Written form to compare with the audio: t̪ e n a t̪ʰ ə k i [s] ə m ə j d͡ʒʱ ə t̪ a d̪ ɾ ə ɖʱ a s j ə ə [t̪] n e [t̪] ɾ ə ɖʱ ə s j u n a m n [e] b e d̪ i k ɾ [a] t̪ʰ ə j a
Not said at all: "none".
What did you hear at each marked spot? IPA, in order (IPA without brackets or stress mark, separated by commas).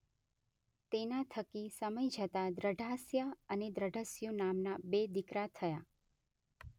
s, none, d̪, a, a